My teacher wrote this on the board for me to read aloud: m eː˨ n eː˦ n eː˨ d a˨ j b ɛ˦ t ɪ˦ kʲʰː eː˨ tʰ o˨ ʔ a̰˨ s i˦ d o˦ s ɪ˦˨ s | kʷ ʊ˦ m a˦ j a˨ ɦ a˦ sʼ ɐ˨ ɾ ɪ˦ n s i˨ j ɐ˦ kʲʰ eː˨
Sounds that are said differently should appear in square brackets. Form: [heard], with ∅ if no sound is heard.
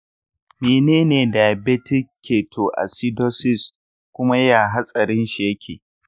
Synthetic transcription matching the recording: m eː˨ n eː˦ n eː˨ d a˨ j b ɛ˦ t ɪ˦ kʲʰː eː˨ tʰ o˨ ʔ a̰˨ s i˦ d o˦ s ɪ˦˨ s | kʷ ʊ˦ m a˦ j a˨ ɦ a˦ sʼ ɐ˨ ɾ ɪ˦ n [ʃ] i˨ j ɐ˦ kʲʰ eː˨